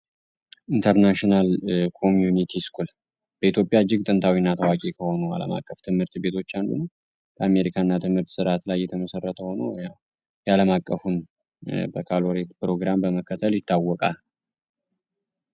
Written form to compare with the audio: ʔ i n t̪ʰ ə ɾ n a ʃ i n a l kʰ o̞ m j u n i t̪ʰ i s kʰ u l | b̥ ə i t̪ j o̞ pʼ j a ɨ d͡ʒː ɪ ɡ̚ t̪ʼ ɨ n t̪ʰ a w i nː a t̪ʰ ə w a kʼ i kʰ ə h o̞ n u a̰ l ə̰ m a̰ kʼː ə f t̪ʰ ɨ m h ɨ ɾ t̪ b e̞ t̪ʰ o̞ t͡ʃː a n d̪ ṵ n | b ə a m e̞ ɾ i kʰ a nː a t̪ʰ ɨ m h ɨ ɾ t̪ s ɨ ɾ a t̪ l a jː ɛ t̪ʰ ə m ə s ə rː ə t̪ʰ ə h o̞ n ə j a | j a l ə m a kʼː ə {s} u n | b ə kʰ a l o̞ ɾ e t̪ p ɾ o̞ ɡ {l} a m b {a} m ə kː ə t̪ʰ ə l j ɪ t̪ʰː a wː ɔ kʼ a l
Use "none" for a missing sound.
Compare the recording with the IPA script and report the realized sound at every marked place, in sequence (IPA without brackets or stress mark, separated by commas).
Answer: f, ɾ, ə